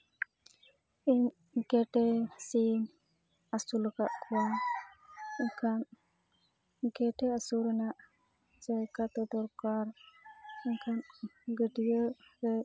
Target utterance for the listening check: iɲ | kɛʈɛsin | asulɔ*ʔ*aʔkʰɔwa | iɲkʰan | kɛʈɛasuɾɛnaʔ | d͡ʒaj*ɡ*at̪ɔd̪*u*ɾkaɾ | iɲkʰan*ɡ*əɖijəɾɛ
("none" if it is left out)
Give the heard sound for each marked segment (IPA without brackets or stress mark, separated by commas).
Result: k, k, ɔ, ɡ